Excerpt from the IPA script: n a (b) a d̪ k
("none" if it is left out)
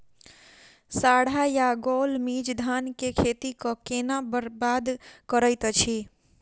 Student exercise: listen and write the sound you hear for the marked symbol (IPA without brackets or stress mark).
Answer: b